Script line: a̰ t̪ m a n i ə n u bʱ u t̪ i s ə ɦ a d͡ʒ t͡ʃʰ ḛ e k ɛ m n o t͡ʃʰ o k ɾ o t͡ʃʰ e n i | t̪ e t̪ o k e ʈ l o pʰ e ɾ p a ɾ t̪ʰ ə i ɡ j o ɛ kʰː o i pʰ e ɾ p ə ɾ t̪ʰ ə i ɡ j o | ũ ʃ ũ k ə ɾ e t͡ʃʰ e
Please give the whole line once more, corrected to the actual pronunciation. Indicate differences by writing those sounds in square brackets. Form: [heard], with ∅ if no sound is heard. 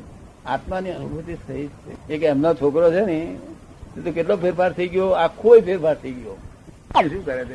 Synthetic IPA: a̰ t̪ m a n i ə n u bʱ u t̪ i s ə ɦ [i] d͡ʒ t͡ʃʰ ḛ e k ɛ m n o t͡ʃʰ o k ɾ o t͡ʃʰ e n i | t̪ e t̪ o k e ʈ l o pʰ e ɾ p a ɾ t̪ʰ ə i ɡ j o [a] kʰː o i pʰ e ɾ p [a] ɾ t̪ʰ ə i ɡ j o | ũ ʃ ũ k ə ɾ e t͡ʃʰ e